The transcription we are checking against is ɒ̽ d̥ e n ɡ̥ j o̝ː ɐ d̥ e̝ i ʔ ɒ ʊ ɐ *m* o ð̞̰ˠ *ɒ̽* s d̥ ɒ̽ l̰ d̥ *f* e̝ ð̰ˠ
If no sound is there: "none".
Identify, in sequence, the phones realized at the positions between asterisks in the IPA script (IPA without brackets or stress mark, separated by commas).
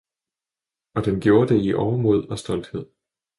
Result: m, ɒ̽, h